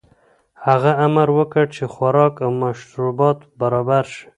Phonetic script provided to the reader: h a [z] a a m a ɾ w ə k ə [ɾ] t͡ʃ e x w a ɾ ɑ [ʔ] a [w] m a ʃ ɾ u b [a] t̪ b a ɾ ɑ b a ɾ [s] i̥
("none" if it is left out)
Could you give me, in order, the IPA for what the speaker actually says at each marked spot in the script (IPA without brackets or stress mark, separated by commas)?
ɣ, ɽ, k, w, ɑ, ʃ